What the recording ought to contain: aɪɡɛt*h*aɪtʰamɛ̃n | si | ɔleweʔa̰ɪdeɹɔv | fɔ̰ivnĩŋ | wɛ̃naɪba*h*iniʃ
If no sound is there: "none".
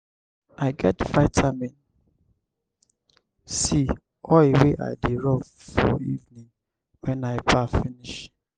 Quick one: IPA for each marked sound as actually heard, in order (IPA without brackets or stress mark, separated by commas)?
f, f